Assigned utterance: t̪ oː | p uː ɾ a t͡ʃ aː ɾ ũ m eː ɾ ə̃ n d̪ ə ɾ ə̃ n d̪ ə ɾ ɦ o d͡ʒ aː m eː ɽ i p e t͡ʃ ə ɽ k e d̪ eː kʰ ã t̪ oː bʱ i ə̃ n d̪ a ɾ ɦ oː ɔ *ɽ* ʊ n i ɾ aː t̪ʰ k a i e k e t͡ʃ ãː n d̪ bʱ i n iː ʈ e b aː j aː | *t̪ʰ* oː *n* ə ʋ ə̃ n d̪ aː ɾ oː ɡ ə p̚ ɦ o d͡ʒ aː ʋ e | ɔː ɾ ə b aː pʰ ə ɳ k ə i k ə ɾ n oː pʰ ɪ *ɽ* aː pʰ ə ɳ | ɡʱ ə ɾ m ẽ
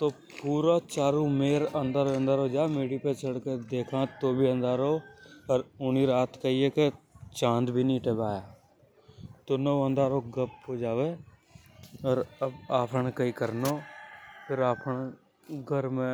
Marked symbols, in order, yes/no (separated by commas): no, no, yes, no